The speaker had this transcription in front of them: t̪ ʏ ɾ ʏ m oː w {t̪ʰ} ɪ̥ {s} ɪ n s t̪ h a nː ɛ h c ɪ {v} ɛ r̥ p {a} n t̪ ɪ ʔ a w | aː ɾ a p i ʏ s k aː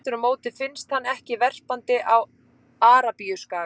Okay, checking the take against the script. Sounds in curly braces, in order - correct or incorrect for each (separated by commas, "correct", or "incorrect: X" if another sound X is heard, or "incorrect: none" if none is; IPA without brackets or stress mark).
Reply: incorrect: t̪, incorrect: f, correct, correct